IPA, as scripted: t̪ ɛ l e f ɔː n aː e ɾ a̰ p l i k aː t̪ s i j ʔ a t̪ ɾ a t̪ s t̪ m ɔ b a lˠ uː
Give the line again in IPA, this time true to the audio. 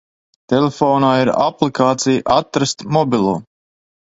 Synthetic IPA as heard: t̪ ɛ l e f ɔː n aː i ɾ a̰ p l i k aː t̪ s i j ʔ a t̪ ɾ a s t̪ m ɔ b i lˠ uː